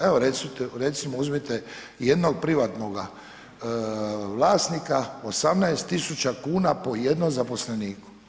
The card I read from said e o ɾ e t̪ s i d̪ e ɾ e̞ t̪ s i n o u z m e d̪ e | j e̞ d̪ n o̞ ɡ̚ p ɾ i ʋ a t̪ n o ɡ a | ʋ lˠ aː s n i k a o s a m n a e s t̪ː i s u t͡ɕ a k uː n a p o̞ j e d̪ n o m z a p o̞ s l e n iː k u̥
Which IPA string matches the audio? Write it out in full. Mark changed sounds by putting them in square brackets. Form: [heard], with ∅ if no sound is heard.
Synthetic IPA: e o ɾ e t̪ s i [t̪] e ɾ e̞ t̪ s i [m] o u z m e [t̪] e | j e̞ d̪ n o̞ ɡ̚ p ɾ i ʋ a t̪ n o ɡ a | ʋ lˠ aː s n i k a o s a m n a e s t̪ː i s u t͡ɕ a k uː n a p o̞ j e d̪ n o m z a p o̞ s l e n iː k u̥

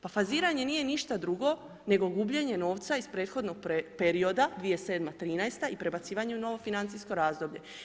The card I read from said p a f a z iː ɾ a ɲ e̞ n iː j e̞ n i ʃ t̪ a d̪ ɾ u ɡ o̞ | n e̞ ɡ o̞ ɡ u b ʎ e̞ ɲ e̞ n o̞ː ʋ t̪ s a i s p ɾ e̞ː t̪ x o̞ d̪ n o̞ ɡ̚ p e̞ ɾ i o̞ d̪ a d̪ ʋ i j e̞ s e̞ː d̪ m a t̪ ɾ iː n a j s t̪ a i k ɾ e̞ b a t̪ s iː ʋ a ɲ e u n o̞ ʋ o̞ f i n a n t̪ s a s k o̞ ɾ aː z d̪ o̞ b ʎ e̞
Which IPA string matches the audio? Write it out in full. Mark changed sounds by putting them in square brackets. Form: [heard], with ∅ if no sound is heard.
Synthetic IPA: p a f a z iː ɾ a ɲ e̞ n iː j e̞ n i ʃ t̪ a d̪ ɾ u ɡ o̞ | n e̞ ɡ o̞ ɡ u b ʎ e̞ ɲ e̞ n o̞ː ʋ t̪ s a i s p ɾ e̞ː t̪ x o̞ d̪ n o̞ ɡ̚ p e̞ ɾ i o̞ d̪ a d̪ ʋ i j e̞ s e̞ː d̪ m a t̪ ɾ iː n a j s t̪ a i [p] ɾ e̞ b a t̪ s iː ʋ a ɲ e u n o̞ ʋ o̞ f i n a n t̪ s [i] s k o̞ ɾ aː z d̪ o̞ b ʎ e̞

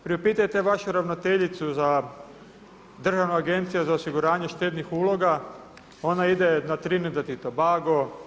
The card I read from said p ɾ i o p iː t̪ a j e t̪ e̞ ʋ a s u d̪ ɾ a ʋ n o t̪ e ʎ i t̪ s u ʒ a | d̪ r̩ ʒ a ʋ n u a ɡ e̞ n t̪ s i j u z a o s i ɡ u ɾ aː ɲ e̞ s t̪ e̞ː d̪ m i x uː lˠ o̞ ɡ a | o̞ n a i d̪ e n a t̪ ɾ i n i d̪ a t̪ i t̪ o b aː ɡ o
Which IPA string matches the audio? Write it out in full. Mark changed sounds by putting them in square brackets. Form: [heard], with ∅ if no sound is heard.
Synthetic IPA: p ɾ i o p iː t̪ a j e t̪ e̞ ʋ a [ʃ] u [∅] ɾ a ʋ n o t̪ e ʎ i t̪ s u [z] a | d̪ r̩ ʒ a ʋ n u a ɡ e̞ n t̪ s i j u z a o s i ɡ u ɾ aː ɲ e̞ [ʃ] t̪ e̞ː d̪ [n] i x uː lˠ o̞ ɡ a | o̞ n a i d̪ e n a t̪ ɾ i n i d̪ a t̪ i t̪ o b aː ɡ o

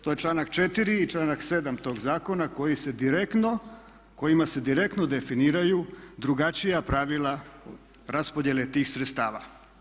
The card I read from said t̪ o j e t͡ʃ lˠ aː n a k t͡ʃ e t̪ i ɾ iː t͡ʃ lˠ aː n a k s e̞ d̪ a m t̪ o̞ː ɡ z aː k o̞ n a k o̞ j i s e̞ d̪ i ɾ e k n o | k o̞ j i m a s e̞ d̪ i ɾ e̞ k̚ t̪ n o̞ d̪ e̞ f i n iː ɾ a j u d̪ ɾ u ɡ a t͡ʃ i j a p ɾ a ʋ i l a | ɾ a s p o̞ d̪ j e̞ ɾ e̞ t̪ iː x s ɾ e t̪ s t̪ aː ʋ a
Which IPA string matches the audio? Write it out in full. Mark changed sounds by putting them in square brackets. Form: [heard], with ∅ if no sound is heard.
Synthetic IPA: t̪ o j e t͡ʃ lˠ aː n a k t͡ʃ e t̪ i ɾ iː t͡ʃ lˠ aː n a k s e̞ d̪ a m t̪ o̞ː ɡ z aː k o̞ n a k o̞ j i s e̞ d̪ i ɾ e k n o | k o̞ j i m a s e̞ d̪ i ɾ e̞ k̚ t̪ n o̞ d̪ e̞ f i n iː ɾ a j u d̪ ɾ u ɡ a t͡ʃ i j a p ɾ a ʋ i l a | ɾ a s p o̞ d̪ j e̞ [l] e̞ t̪ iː x s ɾ e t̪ s t̪ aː ʋ a

